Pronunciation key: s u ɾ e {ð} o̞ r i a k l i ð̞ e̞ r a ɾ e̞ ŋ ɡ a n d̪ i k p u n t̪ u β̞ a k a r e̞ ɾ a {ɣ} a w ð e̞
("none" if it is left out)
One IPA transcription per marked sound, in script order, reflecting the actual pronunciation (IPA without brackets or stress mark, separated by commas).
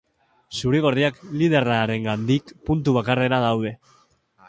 ɣ, ð